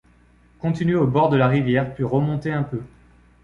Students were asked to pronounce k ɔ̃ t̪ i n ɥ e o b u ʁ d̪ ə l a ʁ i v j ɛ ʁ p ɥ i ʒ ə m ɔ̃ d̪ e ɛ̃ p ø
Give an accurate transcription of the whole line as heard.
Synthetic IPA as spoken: k ɔ̃ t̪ i n ɥ e o b ɔ ʁ d̪ ə l a ʁ i v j ɛ ʁ p ɥ i ʁ ə m ɔ̃ t̪ e ɛ̃ p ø